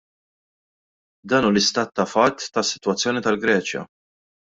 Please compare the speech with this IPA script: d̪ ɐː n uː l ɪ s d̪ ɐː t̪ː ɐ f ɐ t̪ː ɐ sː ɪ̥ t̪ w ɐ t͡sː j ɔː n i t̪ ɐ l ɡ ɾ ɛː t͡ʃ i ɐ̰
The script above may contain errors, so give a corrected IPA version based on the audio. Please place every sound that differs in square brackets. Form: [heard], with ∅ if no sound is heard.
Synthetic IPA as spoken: d̪ ɐː n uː l ɪ s [t̪] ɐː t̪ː ɐ f ɐ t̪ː ɐ sː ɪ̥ t̪ w ɐ t͡sː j ɔː n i t̪ ɐ l ɡ ɾ ɛː t͡ʃ [j] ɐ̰